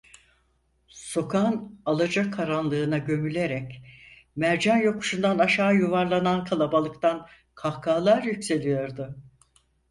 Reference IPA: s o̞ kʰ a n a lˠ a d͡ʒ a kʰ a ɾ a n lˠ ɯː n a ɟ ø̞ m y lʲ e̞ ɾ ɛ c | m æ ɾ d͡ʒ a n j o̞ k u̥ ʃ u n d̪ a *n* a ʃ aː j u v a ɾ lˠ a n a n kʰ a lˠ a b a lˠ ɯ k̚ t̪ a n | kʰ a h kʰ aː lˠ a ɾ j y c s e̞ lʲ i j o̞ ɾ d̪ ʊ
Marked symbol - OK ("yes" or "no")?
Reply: yes